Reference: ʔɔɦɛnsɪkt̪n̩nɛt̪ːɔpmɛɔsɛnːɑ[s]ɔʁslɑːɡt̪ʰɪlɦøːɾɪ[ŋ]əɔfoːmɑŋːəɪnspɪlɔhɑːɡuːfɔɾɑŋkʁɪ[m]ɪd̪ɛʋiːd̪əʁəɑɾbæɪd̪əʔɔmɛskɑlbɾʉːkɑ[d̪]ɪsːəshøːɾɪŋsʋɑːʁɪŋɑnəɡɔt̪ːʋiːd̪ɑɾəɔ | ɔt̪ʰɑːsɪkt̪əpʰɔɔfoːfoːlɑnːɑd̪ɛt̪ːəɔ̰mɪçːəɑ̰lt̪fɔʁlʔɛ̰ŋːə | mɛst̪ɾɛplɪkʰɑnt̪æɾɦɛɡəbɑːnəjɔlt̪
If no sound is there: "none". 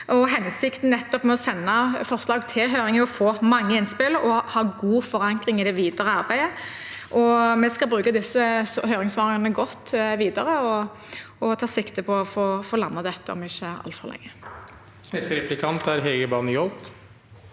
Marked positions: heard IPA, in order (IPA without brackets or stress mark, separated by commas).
f, ŋ, ŋ, d̪